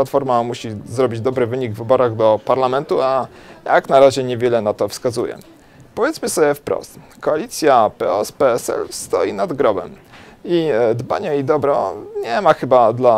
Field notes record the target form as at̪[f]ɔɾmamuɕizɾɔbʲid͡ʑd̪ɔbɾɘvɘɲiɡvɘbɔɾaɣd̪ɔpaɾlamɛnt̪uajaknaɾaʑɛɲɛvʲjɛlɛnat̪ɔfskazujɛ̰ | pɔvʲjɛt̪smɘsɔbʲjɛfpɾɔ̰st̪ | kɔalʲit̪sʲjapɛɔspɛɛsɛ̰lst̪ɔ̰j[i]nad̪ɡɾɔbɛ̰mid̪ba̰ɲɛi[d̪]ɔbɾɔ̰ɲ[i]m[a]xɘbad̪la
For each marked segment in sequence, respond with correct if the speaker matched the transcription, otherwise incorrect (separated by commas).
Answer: correct, correct, correct, incorrect, correct